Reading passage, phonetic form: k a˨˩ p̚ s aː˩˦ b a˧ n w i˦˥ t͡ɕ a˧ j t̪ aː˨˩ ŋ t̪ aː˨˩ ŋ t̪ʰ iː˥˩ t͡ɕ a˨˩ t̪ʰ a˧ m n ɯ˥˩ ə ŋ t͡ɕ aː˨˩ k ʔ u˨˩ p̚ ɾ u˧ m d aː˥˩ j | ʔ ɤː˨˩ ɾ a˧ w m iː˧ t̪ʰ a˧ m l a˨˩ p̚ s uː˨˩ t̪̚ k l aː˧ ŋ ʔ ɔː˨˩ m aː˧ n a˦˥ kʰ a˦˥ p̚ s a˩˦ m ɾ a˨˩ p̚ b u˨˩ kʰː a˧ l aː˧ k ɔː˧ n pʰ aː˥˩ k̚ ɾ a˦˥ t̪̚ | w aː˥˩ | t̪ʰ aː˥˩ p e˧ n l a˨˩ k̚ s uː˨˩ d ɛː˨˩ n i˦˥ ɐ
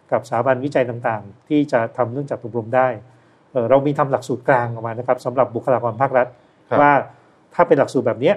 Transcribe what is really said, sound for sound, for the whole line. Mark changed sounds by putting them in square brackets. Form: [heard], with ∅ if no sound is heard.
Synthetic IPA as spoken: k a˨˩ p̚ s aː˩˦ b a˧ n w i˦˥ t͡ɕ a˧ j t̪ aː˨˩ ŋ t̪ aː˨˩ ŋ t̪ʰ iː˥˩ t͡ɕ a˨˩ t̪ʰ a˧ m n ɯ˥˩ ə ŋ t͡ɕ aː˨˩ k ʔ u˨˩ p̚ ɾ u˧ m d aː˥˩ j | ʔ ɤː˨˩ ɾ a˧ w m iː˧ t̪ʰ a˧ m l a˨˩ [k̚] s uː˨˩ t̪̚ k l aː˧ ŋ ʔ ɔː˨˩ m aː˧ n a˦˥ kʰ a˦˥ p̚ s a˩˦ m ɾ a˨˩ p̚ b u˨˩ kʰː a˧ l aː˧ k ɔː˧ n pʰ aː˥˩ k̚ ɾ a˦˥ t̪̚ | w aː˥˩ | t̪ʰ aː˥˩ p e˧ n l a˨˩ k̚ s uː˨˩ [b] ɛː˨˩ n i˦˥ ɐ